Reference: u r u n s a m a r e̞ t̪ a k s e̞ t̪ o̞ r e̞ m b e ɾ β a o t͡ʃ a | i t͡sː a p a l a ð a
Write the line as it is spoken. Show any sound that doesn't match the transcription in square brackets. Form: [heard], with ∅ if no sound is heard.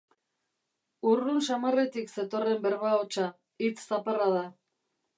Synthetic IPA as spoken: u r u n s a m a r e̞ t̪ [i] k s e̞ t̪ o̞ r e̞ m b e ɾ β a o t͡ʃ a | i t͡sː a p a [r] a ð a